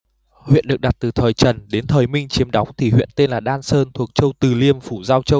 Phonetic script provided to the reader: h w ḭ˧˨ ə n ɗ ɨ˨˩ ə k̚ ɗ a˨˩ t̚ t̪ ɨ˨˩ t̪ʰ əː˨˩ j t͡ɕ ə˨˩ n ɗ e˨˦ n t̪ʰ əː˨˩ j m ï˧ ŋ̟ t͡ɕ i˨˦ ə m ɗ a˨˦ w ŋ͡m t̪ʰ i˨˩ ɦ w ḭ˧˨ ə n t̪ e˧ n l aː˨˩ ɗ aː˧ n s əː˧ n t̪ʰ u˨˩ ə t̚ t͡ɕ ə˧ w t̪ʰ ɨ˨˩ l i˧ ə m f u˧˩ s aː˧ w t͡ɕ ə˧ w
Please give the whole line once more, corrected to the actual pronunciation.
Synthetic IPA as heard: h w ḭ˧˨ ə n ɗ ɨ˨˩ ə k̚ ɗ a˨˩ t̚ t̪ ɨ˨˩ t̪ʰ əː˨˩ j t͡ɕ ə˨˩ n ɗ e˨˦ n t̪ʰ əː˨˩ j m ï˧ ŋ̟ t͡ɕ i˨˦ ə m ɗ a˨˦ w ŋ͡m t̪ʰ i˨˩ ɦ w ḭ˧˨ ə n t̪ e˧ n l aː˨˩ ɗ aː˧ n s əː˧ n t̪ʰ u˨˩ ə k̚ t͡ɕ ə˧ w t̪ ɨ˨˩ l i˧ ə m f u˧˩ z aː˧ w t͡ɕ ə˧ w

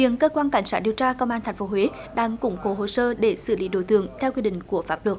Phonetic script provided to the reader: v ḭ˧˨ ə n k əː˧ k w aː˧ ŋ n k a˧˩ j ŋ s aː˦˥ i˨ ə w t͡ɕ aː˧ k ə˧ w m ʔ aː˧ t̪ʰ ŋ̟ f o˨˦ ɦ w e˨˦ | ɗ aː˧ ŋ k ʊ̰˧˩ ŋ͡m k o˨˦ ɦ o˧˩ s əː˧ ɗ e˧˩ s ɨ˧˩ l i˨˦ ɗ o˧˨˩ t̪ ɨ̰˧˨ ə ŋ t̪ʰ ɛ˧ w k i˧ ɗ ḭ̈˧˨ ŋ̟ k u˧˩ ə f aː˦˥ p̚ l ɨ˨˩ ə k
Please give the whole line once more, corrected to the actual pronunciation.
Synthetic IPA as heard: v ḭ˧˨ ə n k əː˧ k w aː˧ n k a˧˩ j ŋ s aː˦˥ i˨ ə w t͡ɕ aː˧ k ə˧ w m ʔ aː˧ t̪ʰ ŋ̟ f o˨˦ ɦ w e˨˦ | ɗ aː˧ ŋ k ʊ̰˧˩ ŋ͡m k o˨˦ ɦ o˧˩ s əː˧ ɗ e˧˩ s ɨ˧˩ l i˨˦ ɗ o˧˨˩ t̪ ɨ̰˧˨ ə ŋ t̪ʰ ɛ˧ w k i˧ ɗ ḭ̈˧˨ ŋ̟ k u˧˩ ə f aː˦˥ p̚ l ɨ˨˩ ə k

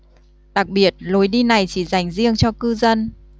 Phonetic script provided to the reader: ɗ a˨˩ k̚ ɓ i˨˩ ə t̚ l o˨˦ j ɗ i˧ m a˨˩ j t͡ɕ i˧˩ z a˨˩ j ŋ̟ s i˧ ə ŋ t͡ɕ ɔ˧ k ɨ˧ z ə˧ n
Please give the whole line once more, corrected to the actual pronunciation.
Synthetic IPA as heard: ɗ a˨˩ k̚ ɓ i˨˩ ə t̚ l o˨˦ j ɗ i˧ n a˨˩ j t͡ɕ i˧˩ z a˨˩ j ŋ̟ z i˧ ə ŋ t͡ɕ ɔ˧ k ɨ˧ z ə˧ n

